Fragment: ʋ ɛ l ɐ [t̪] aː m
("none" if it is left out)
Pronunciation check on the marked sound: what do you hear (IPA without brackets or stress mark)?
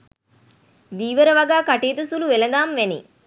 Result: d̪